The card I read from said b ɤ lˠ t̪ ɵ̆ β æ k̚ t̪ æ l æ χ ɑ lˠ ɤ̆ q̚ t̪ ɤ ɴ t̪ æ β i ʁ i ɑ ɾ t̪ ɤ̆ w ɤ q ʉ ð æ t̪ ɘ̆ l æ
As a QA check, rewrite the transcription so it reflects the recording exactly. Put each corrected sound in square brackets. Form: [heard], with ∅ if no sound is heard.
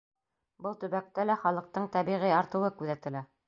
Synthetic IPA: b ɤ lˠ t̪ ɵ̆ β æ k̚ t̪ æ l æ χ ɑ lˠ ɤ̆ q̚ t̪ ɤ ɴ t̪ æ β i ʁ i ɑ ɾ t̪ ɤ̆ w ɤ [k] ʉ ð æ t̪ ɘ̆ l æ